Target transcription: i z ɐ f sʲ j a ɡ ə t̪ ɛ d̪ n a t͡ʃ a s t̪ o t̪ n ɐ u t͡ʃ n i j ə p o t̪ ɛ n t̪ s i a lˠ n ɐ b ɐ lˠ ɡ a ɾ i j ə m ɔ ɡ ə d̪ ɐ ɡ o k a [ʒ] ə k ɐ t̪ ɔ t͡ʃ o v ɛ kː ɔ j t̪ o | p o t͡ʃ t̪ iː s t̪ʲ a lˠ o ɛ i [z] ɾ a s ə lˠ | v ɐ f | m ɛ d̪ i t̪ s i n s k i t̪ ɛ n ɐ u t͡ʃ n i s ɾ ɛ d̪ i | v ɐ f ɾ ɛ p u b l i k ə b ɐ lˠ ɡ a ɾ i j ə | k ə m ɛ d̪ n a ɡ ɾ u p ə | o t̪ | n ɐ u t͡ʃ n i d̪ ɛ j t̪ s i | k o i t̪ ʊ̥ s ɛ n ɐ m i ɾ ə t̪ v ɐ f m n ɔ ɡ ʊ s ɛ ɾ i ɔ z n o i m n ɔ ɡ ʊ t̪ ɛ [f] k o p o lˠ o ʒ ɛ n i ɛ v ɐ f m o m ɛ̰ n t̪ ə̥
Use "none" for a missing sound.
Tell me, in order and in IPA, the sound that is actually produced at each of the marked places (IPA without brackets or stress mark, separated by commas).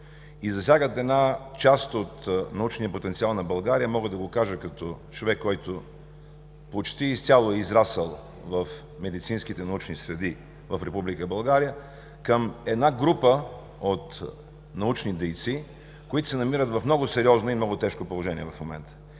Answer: ʒ, z, ʃ